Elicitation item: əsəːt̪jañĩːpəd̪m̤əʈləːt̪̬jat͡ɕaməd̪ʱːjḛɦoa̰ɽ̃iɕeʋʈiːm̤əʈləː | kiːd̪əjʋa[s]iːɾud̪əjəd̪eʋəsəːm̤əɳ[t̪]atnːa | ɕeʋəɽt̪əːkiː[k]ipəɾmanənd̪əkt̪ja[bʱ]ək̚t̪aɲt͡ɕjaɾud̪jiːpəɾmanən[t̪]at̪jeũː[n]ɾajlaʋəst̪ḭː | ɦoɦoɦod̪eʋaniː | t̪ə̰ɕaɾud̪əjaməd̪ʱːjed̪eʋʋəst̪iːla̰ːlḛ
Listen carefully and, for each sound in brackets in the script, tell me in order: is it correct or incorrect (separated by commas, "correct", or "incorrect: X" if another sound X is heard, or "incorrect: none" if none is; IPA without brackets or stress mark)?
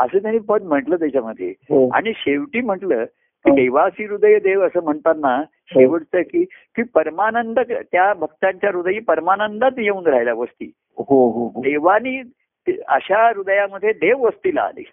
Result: correct, correct, correct, correct, incorrect: d̪, correct